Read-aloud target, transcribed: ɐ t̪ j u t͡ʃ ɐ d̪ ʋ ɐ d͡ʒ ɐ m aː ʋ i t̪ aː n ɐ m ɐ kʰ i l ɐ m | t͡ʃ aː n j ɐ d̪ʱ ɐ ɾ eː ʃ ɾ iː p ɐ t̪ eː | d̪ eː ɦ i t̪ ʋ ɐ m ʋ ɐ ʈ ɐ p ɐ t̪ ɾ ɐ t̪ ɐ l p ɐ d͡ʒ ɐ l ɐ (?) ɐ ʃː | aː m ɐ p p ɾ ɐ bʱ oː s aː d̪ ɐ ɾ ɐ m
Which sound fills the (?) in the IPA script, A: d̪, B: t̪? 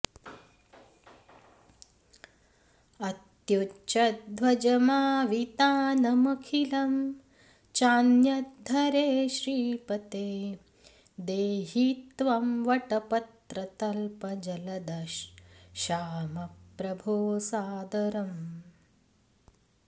A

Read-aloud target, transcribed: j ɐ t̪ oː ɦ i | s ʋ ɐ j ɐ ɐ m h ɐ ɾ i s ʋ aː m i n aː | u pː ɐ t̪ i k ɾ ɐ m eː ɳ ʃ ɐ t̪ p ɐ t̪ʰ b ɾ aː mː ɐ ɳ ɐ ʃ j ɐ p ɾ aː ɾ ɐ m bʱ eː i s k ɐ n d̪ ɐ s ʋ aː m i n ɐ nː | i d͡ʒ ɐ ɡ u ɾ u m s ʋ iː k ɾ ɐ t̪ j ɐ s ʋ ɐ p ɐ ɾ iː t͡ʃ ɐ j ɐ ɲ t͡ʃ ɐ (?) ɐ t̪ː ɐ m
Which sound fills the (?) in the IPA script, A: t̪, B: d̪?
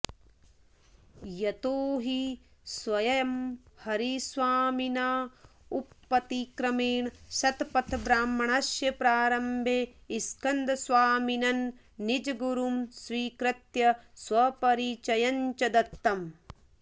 B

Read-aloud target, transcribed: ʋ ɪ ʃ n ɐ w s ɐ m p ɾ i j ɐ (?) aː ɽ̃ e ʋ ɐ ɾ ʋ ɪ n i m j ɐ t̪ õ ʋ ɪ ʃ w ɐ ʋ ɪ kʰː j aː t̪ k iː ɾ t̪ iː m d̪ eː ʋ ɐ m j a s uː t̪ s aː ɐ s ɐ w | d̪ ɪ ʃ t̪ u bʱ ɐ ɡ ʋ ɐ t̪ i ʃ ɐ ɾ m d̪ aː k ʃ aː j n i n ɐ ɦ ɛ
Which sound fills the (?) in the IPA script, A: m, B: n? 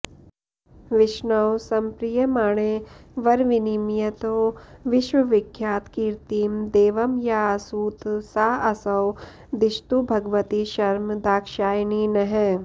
A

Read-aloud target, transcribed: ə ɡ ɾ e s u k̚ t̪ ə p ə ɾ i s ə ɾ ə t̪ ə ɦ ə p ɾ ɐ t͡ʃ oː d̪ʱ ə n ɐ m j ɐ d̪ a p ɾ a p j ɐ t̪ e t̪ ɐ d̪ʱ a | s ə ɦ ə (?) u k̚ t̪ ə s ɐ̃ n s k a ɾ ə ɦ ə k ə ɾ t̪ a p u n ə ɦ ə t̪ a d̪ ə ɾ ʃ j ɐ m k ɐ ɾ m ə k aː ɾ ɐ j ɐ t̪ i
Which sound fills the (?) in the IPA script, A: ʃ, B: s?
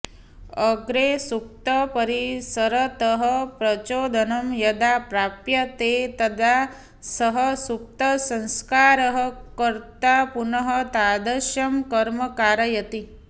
B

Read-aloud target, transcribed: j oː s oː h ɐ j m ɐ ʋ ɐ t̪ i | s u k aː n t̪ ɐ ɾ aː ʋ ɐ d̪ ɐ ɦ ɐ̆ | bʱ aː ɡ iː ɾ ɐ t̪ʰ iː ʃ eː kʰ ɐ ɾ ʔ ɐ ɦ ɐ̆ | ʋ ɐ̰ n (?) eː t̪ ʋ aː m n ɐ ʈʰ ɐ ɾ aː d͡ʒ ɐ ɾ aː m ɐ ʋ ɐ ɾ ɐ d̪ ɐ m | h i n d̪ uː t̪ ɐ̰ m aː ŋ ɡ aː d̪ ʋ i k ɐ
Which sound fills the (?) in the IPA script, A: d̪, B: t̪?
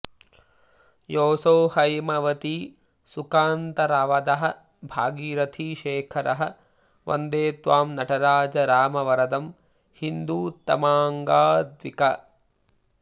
A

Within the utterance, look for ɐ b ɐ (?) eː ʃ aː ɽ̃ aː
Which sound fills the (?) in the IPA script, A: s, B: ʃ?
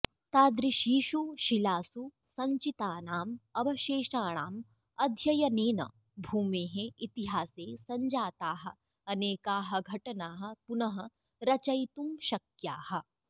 B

